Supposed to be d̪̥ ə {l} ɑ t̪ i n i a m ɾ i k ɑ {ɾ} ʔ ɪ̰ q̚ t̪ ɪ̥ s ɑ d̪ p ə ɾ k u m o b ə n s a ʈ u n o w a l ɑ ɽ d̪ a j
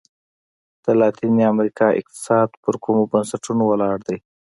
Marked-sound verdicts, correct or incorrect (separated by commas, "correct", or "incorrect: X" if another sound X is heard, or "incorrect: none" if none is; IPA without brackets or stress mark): correct, incorrect: none